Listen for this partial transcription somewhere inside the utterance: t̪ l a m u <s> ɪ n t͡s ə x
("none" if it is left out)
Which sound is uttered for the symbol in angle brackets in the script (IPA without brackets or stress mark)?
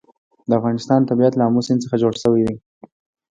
s